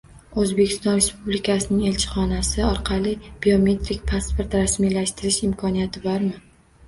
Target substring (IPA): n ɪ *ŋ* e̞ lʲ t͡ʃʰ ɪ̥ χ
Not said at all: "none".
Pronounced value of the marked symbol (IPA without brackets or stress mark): ŋ